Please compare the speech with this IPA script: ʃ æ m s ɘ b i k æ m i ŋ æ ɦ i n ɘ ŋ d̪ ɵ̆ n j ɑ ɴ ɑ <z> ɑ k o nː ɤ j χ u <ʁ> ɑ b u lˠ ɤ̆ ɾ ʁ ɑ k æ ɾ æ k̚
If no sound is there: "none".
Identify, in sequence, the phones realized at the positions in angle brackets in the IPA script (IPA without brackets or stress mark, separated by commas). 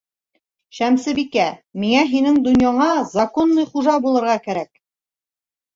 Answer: z, ʒ